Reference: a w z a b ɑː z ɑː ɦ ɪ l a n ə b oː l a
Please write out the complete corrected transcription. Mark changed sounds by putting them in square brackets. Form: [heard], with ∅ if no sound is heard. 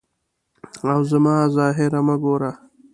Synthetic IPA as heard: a w z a [m] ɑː z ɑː ɦ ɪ [ɾ] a [m] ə [ɡ] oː [ɾ] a